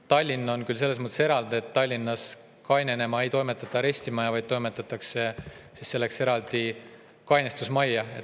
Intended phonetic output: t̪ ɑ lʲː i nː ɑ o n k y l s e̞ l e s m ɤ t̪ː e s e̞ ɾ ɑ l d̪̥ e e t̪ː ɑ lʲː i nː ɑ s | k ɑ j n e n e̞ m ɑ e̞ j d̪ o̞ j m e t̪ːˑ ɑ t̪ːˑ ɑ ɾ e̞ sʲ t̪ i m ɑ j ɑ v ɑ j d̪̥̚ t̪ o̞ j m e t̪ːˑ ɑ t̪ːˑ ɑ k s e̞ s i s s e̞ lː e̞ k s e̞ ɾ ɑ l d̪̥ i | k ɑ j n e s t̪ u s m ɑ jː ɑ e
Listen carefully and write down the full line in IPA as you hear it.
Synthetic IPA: t̪ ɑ lʲː i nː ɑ o n k y l s e̞ lː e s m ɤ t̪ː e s e̞ ɾ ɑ l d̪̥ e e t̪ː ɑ lʲː i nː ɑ s | k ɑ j n e n e̞ m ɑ e̞ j t̪ o̞ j m e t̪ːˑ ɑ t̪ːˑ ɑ ɾ e̞ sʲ t̪ i m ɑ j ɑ v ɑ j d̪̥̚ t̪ o̞ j m e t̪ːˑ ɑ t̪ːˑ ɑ k s e̞ s i s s e̞ lː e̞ k s e̞ ɾ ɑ l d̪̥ i | k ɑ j n e s t̪ u s m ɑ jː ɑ e